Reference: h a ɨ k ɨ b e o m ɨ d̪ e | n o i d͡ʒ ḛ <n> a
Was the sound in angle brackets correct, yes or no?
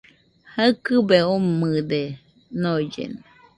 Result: yes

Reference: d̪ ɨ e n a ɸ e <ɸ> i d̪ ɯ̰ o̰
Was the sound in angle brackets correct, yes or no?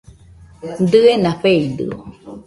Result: no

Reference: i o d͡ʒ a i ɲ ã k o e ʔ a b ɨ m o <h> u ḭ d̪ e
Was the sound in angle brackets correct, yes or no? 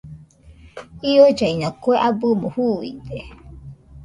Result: yes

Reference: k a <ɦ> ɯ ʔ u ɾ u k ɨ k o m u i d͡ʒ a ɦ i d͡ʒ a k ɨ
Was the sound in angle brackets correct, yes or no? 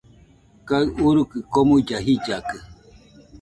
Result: no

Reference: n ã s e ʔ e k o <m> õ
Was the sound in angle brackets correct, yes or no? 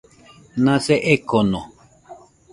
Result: no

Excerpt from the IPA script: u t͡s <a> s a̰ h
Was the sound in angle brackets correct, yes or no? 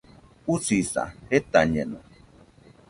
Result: no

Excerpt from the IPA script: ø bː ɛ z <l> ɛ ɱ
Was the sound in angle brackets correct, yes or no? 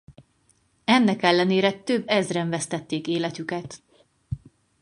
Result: no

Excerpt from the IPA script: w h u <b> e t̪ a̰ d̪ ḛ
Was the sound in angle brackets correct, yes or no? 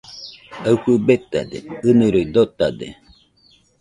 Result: yes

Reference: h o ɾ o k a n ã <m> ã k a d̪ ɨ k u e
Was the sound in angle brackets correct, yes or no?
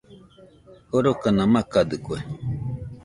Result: yes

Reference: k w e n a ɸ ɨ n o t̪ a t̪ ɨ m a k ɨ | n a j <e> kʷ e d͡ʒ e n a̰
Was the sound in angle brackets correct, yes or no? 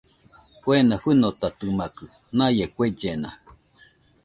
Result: yes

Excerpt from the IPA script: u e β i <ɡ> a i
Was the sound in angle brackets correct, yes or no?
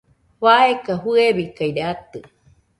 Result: no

